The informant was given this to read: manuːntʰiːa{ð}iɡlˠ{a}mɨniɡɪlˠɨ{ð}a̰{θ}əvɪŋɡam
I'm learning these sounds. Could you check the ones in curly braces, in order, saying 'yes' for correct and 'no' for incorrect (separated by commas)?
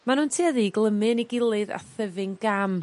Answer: yes, no, yes, yes